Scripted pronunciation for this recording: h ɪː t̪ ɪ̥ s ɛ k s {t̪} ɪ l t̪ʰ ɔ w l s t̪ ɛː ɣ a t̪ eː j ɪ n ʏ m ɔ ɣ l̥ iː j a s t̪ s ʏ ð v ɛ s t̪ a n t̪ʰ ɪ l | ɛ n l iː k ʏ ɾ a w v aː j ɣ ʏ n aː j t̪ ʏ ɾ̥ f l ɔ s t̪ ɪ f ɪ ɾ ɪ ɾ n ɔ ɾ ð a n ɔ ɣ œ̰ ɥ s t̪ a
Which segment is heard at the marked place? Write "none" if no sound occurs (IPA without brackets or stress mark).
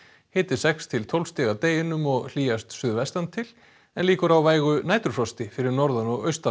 t̪ʰ